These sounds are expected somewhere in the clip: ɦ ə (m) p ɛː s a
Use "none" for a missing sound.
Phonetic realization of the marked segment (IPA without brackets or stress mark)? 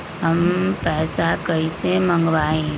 m